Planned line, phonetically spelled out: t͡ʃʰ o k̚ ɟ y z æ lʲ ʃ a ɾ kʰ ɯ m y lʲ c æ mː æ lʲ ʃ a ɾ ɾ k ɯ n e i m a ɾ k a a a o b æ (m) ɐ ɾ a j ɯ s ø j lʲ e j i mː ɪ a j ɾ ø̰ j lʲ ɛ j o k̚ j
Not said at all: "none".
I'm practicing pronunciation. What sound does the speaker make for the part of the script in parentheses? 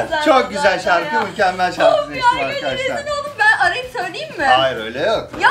n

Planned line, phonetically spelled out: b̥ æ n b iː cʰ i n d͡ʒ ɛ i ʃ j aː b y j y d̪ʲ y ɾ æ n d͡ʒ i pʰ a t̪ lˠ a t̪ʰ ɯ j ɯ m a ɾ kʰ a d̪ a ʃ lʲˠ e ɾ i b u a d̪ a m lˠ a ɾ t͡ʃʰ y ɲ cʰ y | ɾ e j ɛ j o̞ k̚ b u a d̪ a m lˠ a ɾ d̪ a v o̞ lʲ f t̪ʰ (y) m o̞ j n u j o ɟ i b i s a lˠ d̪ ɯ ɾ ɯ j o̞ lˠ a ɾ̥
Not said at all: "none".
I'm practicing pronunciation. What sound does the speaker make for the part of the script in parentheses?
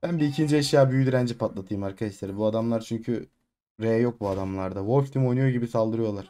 i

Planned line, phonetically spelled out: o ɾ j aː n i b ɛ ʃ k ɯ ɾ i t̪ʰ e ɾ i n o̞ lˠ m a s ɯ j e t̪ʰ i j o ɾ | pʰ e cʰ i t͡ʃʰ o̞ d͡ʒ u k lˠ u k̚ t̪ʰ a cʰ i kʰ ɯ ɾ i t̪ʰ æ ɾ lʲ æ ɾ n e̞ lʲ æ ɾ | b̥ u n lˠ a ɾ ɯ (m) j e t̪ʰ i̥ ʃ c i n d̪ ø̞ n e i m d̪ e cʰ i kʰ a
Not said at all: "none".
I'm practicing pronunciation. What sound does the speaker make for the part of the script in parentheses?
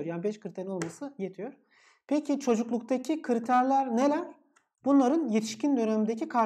n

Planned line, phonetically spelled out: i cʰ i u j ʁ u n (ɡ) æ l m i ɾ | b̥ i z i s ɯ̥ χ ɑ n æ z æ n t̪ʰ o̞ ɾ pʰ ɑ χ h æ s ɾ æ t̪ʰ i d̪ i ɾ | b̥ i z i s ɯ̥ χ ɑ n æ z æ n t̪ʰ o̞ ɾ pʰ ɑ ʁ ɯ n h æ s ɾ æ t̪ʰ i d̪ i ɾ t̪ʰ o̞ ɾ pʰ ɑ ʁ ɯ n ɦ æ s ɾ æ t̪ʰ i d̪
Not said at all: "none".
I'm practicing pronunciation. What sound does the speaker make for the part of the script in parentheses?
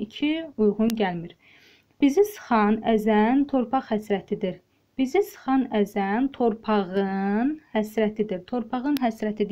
ɟ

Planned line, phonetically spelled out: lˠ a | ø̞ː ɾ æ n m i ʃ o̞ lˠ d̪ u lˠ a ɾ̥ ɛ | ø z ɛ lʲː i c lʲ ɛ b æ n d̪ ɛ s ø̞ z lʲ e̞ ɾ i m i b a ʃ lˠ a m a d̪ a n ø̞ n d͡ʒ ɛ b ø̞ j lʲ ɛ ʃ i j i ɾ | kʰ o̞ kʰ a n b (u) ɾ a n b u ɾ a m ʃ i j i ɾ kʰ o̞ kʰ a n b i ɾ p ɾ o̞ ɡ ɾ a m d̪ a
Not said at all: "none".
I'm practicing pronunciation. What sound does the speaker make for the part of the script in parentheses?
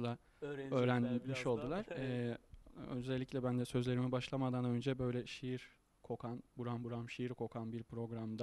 u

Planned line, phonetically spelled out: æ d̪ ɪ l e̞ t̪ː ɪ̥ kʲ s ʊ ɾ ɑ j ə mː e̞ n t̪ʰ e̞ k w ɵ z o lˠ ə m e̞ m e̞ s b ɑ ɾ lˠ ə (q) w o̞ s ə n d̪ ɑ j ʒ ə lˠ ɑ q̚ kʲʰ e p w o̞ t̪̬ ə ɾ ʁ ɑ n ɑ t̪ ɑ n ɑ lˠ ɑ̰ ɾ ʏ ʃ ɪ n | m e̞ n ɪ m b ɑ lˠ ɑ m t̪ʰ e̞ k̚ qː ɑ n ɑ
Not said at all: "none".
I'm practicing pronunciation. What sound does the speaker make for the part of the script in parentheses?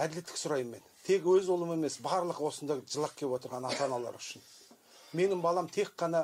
q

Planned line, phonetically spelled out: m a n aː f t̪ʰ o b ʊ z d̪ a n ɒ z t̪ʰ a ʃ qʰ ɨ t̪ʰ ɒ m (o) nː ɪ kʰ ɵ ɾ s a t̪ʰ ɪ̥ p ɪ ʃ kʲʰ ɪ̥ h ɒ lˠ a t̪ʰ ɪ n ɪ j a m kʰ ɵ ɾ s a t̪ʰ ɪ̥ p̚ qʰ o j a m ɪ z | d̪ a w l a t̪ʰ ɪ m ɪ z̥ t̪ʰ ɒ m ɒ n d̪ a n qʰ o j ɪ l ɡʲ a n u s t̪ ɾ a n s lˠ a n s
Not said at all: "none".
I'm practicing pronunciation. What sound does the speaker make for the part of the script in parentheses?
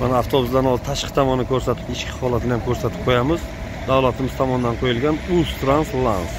ɒ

